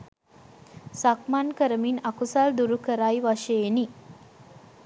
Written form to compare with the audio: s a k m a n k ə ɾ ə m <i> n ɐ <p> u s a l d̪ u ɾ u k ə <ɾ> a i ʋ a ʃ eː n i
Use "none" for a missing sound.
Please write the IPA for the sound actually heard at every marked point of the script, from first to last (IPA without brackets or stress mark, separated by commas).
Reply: i, k, ɾ